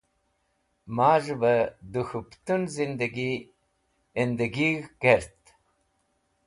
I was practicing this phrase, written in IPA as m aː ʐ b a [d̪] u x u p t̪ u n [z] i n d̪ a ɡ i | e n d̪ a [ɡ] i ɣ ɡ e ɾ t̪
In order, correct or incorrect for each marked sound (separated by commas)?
correct, correct, correct